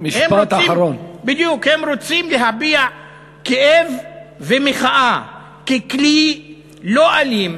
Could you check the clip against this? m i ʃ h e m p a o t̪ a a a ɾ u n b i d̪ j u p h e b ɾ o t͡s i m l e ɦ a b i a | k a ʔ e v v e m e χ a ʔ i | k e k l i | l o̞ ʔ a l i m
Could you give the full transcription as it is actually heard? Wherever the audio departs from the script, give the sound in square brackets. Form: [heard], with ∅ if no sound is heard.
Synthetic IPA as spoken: m i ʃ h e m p a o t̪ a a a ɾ [o] n b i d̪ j u [k] h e [m] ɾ o t͡s i m l e ɦ a b i a | k [e] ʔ e v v e m e χ a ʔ [a] | k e k l i | l o̞ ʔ a l i m